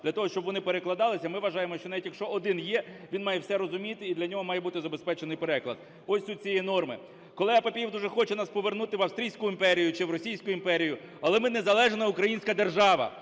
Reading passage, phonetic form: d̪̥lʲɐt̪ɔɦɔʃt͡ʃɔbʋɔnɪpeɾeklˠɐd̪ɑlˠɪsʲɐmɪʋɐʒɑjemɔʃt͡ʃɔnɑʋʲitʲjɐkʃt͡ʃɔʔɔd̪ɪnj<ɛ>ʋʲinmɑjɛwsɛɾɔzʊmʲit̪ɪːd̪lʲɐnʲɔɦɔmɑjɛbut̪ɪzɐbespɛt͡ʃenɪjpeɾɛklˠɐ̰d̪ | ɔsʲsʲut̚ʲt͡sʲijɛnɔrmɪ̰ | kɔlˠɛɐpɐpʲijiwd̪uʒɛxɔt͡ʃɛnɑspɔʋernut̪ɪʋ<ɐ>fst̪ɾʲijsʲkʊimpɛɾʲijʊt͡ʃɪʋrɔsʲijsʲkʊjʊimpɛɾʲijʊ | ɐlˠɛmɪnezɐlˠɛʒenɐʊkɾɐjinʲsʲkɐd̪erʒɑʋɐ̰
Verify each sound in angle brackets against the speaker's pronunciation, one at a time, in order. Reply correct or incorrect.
correct, correct

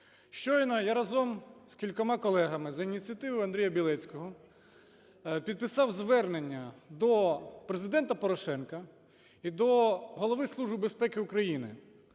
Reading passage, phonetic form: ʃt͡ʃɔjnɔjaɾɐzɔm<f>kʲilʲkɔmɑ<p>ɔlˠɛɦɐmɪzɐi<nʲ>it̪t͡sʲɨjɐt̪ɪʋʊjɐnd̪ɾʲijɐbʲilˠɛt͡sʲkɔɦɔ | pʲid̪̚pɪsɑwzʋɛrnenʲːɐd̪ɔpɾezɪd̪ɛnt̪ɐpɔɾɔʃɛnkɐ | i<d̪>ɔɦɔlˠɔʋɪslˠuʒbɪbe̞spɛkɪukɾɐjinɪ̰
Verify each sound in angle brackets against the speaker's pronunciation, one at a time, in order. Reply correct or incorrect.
incorrect, incorrect, correct, correct

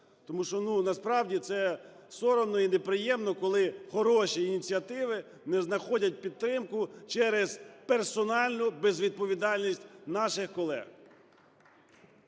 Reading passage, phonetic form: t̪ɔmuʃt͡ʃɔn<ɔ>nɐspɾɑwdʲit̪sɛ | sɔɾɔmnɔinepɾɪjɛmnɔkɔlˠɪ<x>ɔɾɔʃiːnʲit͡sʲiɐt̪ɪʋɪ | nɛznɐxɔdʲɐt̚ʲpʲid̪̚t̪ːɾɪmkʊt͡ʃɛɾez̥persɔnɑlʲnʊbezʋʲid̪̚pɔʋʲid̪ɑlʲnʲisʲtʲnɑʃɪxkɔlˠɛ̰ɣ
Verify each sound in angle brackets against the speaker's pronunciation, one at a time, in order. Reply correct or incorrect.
incorrect, correct

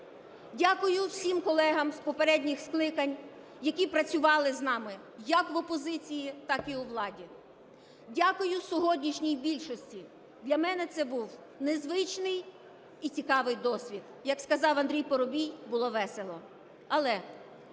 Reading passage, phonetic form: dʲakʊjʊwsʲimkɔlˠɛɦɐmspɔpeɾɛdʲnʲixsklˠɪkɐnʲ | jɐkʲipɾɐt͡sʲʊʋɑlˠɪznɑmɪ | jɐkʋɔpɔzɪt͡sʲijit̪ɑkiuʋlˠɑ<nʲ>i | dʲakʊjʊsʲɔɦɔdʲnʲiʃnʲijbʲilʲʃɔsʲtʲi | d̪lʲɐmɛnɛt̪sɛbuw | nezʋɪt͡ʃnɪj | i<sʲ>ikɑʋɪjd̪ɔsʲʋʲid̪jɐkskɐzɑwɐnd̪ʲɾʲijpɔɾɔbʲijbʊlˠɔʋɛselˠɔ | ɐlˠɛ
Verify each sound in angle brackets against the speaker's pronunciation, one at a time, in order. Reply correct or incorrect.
incorrect, incorrect

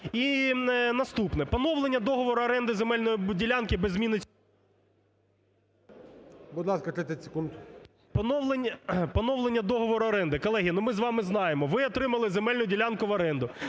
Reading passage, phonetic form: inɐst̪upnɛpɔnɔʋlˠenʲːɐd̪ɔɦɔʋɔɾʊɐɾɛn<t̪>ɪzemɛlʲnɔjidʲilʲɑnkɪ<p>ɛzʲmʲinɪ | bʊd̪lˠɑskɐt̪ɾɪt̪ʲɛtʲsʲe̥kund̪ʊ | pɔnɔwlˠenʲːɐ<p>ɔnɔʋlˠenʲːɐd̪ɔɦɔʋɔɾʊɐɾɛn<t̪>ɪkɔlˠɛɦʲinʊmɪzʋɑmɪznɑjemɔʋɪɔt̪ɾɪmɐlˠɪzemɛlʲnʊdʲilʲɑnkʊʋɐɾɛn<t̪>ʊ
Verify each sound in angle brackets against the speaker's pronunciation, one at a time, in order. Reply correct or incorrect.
incorrect, incorrect, correct, incorrect, incorrect

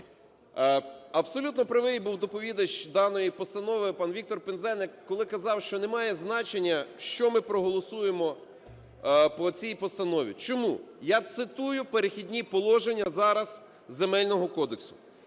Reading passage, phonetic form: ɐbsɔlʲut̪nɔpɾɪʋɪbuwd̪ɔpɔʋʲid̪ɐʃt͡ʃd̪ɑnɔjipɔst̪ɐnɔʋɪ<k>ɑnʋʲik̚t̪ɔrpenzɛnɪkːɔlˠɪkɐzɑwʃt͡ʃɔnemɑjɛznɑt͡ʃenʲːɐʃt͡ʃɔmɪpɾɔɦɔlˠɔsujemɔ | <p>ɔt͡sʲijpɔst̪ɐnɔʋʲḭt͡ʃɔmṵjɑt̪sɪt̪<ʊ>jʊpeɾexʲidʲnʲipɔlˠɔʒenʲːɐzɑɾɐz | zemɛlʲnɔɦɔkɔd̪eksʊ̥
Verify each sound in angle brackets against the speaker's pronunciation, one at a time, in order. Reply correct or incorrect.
incorrect, correct, incorrect

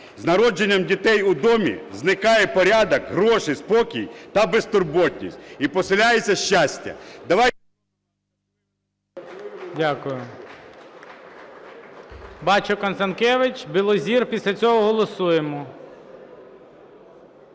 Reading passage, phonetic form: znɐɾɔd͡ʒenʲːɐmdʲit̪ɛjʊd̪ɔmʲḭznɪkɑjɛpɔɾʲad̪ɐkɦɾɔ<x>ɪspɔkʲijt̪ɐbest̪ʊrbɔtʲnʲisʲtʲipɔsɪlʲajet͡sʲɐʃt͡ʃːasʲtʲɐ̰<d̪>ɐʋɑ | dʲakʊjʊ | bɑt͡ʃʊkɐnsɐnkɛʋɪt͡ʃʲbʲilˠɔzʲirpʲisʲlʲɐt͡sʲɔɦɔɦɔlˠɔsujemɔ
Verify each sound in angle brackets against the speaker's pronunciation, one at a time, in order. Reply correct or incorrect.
incorrect, correct

